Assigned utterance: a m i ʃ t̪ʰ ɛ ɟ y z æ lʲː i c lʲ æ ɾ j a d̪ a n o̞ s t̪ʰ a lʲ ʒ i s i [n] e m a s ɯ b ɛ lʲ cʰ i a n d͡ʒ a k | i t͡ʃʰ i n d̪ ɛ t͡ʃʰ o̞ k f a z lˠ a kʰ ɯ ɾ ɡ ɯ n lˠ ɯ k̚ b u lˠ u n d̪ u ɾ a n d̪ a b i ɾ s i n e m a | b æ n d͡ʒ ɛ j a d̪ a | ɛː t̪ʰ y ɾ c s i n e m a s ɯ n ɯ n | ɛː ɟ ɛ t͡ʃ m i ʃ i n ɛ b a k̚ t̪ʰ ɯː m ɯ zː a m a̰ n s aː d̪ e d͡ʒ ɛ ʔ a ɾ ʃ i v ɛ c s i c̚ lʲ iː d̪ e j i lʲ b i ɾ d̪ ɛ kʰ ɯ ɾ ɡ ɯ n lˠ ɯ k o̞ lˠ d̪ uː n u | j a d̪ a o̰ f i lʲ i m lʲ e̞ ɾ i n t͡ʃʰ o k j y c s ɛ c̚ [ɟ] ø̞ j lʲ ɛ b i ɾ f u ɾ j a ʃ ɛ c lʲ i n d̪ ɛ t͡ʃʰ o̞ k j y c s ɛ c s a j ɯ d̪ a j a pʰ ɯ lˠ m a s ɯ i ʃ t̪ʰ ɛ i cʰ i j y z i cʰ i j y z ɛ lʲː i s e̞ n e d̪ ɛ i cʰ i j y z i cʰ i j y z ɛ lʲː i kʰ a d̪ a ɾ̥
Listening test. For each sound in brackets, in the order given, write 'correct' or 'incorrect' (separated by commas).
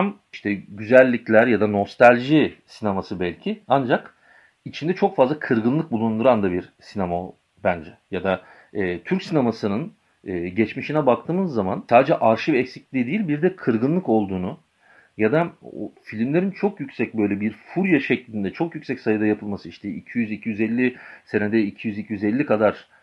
correct, incorrect